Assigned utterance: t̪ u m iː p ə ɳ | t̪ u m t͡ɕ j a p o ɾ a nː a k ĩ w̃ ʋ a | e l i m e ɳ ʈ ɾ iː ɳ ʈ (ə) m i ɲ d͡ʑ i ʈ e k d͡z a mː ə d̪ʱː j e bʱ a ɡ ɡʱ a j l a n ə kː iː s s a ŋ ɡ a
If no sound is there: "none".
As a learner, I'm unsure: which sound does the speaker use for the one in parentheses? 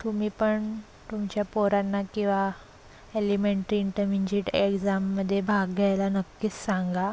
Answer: ə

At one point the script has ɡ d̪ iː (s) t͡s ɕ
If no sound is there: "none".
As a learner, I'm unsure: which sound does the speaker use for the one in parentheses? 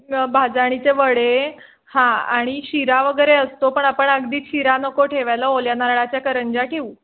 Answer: none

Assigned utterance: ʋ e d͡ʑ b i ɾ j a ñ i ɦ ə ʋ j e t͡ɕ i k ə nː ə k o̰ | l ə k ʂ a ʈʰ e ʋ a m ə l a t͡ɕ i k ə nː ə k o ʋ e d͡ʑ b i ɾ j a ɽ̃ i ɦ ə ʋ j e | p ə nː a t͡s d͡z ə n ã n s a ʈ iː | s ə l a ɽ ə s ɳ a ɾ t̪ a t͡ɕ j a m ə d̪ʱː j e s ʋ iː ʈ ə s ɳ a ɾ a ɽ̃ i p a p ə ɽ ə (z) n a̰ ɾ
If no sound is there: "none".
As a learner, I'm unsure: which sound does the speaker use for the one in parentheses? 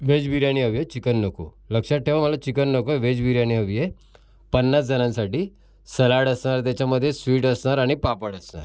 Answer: s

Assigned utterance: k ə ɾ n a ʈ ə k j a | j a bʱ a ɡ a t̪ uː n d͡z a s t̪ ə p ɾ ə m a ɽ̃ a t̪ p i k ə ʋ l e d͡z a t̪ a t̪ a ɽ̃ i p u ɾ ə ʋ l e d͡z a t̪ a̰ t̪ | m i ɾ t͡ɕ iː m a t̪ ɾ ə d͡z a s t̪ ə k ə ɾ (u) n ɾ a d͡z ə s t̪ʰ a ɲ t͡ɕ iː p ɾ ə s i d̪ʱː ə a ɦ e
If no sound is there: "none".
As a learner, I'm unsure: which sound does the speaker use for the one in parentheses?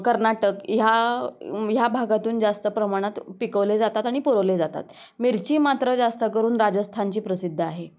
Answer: uː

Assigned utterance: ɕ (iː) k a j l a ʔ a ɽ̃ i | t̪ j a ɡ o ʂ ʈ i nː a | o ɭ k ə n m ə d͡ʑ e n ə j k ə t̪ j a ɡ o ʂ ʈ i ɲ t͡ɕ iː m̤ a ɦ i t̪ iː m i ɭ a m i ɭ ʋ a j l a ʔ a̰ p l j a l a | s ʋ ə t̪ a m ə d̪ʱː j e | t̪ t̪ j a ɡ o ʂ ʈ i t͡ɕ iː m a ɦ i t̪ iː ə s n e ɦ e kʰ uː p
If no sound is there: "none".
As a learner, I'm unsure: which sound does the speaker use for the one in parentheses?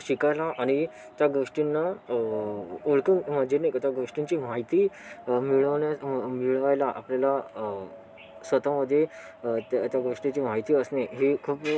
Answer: i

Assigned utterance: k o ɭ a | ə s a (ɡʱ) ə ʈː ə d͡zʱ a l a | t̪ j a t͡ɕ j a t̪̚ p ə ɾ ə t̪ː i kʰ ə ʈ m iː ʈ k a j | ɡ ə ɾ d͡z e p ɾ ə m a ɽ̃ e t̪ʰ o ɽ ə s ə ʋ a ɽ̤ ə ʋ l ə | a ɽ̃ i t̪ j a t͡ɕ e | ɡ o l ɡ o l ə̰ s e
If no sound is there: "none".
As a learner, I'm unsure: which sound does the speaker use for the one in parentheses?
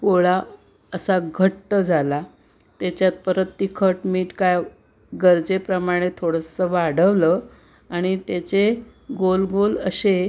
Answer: ɡʱ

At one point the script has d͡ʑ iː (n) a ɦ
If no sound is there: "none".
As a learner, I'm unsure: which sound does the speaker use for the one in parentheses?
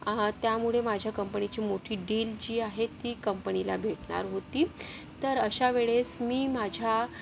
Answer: none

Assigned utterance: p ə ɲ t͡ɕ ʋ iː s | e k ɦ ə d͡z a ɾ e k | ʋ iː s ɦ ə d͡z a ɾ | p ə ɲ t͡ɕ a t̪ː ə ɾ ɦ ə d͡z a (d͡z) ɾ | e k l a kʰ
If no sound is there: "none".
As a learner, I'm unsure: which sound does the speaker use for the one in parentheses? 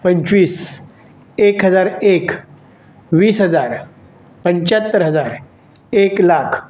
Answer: none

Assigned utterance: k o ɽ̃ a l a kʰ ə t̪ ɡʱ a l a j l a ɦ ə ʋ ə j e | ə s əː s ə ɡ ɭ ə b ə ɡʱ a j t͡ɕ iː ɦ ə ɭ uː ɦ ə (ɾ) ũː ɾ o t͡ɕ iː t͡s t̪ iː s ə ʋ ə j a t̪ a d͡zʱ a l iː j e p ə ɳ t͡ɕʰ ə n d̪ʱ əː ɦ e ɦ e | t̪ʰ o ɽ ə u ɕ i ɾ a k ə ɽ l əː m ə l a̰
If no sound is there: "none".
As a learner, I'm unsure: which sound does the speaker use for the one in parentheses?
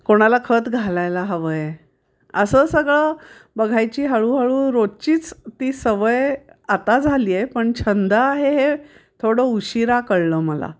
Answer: ɭ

